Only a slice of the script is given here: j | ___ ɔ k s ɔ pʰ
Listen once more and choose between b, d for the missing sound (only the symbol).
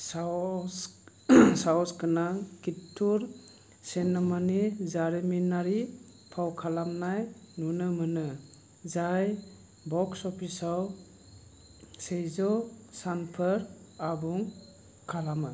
b